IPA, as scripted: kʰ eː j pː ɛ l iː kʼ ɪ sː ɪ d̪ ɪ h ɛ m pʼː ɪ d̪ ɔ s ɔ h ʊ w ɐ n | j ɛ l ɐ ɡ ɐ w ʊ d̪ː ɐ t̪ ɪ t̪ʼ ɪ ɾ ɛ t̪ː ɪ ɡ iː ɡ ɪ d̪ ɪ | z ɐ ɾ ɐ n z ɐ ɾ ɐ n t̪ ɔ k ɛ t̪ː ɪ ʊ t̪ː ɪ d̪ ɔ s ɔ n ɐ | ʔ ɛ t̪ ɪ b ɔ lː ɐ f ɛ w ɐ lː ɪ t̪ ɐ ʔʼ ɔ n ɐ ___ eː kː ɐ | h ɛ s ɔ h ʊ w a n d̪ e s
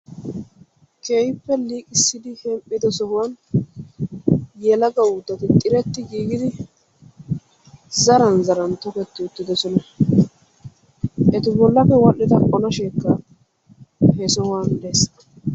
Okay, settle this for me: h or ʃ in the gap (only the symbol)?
ʃ